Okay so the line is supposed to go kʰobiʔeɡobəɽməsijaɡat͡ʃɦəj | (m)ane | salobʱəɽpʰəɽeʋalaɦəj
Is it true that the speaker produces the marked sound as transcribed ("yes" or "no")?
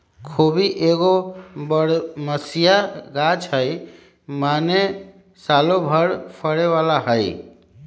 yes